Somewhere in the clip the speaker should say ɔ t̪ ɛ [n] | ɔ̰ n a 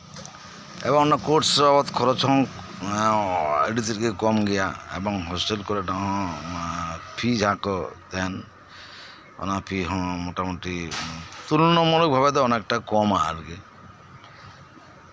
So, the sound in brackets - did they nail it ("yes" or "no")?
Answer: yes